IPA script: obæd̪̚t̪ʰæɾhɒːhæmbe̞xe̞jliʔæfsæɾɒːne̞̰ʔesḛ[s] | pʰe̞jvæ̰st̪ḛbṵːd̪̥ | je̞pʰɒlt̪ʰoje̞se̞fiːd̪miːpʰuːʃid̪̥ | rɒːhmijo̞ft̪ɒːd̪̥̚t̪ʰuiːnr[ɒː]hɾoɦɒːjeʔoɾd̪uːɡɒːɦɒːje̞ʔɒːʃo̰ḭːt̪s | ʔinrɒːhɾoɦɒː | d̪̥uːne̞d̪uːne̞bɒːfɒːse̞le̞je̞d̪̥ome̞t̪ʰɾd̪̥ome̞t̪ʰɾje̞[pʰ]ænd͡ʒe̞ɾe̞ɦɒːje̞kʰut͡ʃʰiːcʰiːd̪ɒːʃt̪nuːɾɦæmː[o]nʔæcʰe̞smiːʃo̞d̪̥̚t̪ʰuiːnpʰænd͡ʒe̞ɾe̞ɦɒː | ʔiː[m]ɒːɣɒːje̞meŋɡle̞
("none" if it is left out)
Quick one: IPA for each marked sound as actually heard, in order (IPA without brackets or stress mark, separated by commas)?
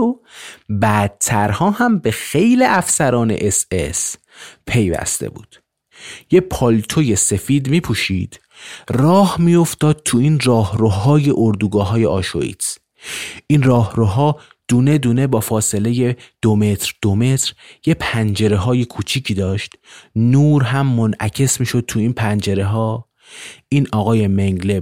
s, ɒː, pʰ, o, n